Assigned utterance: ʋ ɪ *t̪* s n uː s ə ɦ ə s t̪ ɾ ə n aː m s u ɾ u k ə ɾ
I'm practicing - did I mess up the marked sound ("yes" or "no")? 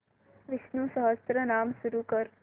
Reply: yes